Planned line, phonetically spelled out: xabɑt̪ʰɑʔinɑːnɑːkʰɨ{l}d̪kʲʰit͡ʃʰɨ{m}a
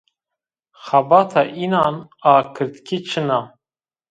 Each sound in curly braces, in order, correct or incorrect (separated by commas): incorrect, incorrect